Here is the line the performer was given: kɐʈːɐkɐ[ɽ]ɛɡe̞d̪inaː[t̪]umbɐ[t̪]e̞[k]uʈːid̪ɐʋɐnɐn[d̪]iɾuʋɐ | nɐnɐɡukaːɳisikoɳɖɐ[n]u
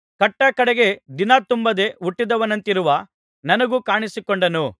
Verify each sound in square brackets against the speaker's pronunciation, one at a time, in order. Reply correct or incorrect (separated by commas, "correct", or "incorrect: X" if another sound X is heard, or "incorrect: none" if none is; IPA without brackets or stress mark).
correct, correct, incorrect: d̪, incorrect: none, incorrect: t̪, correct